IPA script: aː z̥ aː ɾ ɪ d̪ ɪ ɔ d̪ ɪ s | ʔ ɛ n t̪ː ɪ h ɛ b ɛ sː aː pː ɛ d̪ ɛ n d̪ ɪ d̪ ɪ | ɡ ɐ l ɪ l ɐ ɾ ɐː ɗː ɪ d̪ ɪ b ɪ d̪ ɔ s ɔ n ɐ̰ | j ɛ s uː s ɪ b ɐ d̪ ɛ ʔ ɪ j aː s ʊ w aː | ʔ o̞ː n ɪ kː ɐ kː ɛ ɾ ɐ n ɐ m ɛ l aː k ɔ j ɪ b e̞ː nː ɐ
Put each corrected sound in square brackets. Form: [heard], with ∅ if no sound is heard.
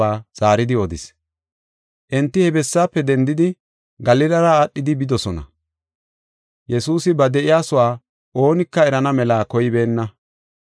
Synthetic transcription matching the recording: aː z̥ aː ɾ ɪ d̪ ɪ ɔ d̪ ɪ s | ʔ ɛ n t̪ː ɪ h ɛ b ɛ sː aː pː ɛ d̪ ɛ n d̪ ɪ d̪ ɪ | ɡ ɐ l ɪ l ɐ ɾ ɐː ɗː ɪ d̪ ɪ b ɪ d̪ ɔ s ɔ n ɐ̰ | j ɛ s uː s ɪ b ɐ d̪ ɛ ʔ ɪ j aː s ʊ w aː | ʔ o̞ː n ɪ kː ɐ [∅] ɛ ɾ ɐ n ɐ m ɛ l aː k ɔ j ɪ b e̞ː nː ɐ